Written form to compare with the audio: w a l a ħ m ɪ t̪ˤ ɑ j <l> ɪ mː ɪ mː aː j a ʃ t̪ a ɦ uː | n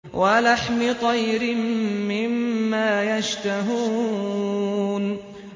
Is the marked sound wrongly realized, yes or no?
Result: yes